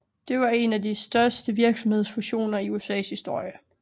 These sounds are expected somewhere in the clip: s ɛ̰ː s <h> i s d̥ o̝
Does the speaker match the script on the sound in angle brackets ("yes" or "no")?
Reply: yes